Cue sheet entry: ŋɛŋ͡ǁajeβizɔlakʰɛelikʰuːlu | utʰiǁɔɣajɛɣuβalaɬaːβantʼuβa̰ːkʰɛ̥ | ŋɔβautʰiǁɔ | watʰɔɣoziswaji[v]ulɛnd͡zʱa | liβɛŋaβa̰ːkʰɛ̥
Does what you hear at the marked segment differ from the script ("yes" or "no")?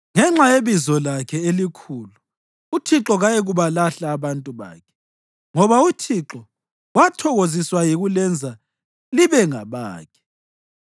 yes